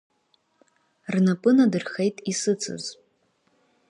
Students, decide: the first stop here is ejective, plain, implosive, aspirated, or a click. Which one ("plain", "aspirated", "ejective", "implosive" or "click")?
ejective